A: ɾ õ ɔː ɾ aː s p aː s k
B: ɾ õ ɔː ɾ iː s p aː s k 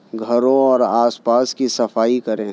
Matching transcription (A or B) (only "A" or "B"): A